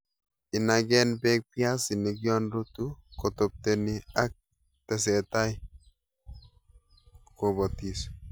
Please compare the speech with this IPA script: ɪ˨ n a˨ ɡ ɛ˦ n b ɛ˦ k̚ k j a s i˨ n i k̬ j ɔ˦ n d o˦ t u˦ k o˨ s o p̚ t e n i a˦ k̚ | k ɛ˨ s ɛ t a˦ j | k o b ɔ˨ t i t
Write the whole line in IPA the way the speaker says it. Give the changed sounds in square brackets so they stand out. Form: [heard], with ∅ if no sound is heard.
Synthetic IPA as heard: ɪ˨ n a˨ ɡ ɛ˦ n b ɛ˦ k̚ [p] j a s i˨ n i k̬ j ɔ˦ n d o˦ t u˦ k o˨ [t] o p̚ t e n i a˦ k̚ | [t] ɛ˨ s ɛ t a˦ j | k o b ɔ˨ t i [s]

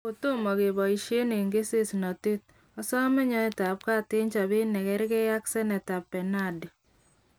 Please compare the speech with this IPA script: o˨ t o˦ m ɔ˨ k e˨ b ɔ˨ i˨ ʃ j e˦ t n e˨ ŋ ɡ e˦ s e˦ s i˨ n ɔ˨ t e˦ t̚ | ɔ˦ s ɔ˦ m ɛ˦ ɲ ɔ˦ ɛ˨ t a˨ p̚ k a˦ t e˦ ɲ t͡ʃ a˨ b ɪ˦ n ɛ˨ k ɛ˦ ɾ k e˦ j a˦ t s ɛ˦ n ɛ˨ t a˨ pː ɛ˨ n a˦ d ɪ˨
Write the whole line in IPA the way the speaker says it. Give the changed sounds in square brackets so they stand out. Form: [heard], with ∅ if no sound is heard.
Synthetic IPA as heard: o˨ t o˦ m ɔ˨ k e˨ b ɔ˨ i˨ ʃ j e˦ [∅] n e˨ ŋ ɡ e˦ s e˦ s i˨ n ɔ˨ t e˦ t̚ | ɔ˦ s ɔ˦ m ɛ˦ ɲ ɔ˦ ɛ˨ t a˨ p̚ k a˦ t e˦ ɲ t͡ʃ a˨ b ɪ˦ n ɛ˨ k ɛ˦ ɾ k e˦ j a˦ [k] s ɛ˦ n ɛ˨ t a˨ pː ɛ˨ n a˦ d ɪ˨

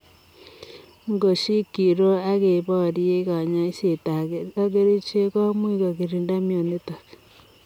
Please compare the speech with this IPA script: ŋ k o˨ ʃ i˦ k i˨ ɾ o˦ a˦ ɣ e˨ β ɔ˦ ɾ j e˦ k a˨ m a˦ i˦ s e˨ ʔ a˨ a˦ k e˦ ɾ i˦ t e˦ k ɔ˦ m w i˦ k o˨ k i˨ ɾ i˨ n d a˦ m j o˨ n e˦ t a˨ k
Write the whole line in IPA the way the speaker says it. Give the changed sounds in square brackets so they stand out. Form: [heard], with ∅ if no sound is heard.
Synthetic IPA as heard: ŋ [ɡ] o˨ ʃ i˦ k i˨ ɾ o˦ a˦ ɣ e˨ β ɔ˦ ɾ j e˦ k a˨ [ɲ] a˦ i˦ s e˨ [t] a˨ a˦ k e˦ ɾ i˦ [t͡ʃ] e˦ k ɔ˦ m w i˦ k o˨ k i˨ ɾ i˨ n d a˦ m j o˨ n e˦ t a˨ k

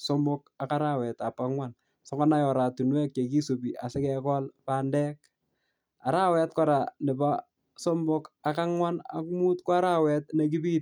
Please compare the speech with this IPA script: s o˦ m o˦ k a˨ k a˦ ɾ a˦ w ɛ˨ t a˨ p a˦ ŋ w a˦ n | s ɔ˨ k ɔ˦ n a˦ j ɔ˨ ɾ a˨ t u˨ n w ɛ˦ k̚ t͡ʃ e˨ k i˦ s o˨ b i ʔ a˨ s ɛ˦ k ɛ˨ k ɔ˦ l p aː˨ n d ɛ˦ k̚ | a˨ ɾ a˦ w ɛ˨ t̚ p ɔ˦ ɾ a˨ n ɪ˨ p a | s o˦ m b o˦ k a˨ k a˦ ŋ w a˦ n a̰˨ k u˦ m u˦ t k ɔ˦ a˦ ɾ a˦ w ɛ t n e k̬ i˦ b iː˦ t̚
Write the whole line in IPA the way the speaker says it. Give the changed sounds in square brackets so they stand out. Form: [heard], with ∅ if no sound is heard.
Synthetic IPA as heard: s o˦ m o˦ k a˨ k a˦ ɾ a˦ w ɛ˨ t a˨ p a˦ ŋ w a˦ n | s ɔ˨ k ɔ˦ n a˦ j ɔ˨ ɾ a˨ t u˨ n w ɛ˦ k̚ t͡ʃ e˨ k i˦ s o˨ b i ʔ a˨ s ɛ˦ k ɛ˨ k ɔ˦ l p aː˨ n d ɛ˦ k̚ | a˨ ɾ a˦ w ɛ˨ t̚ [k] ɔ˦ ɾ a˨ n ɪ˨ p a | s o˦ m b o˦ k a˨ k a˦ ŋ w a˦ n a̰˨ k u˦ m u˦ t k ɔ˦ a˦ ɾ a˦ w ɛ t n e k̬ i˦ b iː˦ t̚

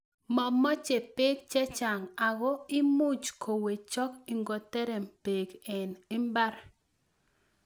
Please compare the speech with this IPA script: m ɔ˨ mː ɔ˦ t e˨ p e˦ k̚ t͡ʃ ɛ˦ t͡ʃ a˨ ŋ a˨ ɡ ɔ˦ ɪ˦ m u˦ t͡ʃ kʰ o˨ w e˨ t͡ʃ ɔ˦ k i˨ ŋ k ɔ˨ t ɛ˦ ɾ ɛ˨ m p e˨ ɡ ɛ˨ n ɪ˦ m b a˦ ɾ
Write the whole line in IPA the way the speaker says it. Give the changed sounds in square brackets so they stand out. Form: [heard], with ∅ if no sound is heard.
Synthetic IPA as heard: m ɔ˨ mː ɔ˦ [t͡ʃ] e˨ p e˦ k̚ t͡ʃ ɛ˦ t͡ʃ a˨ ŋ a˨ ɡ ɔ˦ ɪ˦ m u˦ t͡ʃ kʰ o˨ w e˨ t͡ʃ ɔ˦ k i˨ ŋ [ɡ] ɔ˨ t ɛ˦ ɾ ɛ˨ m p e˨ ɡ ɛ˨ n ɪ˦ m b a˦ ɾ

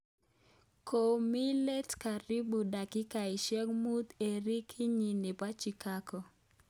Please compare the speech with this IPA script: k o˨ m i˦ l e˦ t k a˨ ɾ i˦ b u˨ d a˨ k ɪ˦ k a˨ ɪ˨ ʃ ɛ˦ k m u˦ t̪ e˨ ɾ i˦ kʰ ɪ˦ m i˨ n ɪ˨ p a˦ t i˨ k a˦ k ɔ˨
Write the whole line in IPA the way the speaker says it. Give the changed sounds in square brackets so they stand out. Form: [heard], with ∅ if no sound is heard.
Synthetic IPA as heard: k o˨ m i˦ l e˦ t k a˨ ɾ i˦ b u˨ d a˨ k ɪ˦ k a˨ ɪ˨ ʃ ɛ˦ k m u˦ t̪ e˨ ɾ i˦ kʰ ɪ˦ [ɲ] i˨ n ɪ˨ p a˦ [t͡ʃ] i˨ k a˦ k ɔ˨

